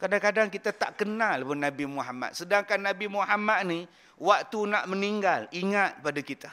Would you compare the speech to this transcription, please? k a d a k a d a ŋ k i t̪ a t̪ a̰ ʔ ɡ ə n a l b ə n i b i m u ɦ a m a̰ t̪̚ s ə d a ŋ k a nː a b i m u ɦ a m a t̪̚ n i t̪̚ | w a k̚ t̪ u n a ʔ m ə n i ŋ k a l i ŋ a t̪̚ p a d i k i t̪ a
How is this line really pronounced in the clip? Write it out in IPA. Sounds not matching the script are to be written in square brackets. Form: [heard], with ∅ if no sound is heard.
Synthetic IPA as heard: k a d a k a d a ŋ k i t̪ a t̪ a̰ ʔ [k] ə n a l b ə n [a] b i m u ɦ a m a̰ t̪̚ s ə d a ŋ k a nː a b i m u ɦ a m a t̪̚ n i [∅] | w a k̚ t̪ u n a ʔ m ə n i ŋ [ɡ] a l i ŋ a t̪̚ p a d [a] k i t̪ a